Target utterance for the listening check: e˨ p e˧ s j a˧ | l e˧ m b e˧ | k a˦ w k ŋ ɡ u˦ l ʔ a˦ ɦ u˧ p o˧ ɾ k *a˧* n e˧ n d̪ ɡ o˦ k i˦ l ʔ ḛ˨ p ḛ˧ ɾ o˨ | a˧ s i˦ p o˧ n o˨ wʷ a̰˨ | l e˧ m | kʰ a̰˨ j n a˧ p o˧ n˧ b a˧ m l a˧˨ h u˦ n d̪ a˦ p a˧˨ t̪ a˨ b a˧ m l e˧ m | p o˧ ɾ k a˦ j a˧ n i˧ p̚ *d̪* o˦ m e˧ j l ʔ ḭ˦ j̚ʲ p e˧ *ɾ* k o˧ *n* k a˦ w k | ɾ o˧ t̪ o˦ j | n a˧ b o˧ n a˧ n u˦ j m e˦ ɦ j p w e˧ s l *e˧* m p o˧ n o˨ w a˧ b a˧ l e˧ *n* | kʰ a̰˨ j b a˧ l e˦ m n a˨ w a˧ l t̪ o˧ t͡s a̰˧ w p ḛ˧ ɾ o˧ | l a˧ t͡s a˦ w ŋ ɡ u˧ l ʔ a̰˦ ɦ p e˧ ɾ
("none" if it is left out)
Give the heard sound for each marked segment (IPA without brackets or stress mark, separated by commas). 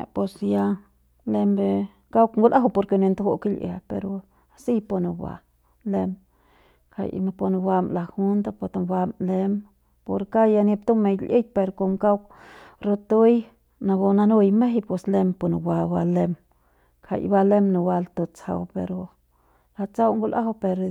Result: e˧, t̪, ɾ, m, e˧, m